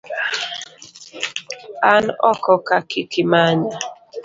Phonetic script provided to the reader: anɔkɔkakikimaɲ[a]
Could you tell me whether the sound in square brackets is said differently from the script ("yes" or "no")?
no